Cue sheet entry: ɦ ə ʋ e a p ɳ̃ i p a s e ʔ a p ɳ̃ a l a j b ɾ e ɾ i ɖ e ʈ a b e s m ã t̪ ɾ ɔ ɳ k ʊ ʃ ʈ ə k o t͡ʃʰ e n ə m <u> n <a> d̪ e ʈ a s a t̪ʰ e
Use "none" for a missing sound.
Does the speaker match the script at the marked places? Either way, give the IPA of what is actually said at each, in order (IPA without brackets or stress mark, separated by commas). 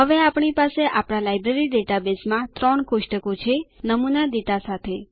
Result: u, a